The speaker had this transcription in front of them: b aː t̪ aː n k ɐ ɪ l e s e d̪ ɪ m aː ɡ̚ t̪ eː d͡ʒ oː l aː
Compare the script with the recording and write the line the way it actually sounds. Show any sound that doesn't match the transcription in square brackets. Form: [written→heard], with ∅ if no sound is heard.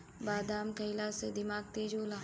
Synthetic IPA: b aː [t̪→d̪] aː [n→m] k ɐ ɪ l [e→a] s e d̪ ɪ m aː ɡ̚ t̪ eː d͡ʒ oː l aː